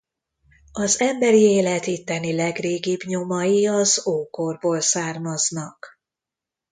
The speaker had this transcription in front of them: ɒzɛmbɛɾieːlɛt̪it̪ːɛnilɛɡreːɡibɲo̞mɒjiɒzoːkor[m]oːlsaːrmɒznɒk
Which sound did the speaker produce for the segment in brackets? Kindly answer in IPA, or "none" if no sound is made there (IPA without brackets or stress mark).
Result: b